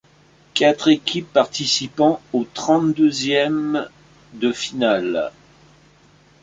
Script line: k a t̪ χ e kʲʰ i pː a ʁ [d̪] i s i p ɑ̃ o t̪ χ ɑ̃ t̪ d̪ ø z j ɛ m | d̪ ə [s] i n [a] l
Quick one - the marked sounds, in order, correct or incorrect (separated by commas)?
incorrect, incorrect, correct